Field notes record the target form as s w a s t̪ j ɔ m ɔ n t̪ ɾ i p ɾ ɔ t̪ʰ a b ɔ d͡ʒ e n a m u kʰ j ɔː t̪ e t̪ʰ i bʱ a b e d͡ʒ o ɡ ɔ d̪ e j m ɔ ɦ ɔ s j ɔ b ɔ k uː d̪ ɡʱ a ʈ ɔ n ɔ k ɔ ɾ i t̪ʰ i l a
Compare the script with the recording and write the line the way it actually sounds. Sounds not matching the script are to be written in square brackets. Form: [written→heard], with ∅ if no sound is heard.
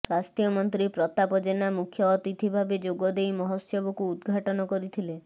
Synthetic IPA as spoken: s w a s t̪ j ɔ m ɔ n t̪ ɾ i p ɾ ɔ [t̪ʰ→t̪] a [b→p] ɔ d͡ʒ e n a m u kʰ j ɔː t̪ [e→i] t̪ʰ i bʱ a b e d͡ʒ o ɡ ɔ d̪ e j m ɔ ɦ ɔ s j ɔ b ɔ k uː d̪ ɡʱ a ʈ ɔ n ɔ k ɔ ɾ i t̪ʰ i l [a→e]